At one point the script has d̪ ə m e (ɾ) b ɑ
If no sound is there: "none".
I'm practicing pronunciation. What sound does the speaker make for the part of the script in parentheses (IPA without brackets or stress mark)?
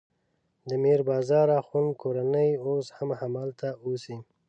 ɾ